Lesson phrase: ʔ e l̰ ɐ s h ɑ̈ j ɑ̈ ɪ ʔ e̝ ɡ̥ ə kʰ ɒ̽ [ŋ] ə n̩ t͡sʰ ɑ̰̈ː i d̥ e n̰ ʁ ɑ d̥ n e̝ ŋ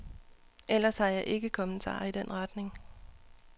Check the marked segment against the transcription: incorrect: m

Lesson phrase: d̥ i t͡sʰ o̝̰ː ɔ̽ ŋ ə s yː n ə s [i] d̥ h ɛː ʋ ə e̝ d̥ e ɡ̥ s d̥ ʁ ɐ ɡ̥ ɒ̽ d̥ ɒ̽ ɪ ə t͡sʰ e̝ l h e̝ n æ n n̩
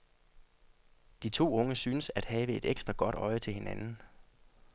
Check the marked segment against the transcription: incorrect: æ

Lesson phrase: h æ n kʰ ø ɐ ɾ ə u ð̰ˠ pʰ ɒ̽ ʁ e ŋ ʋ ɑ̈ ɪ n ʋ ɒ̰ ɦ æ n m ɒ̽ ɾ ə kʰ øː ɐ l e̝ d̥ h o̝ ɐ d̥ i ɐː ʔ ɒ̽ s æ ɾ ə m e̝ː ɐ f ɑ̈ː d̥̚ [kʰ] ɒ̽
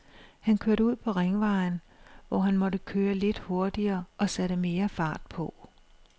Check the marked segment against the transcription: incorrect: pʰ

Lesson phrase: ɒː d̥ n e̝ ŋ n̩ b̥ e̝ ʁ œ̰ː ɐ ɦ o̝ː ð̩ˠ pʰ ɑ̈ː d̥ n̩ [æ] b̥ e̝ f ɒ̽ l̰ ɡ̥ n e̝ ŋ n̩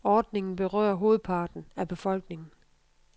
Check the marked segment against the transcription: correct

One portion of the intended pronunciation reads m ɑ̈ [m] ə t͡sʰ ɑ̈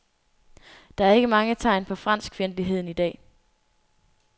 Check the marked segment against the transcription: incorrect: ŋ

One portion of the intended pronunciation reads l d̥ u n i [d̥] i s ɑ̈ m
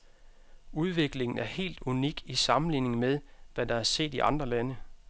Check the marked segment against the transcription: incorrect: ɡ̥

